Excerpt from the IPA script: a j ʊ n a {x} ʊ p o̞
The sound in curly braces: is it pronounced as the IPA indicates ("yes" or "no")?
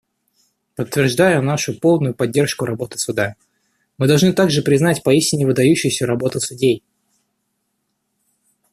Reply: no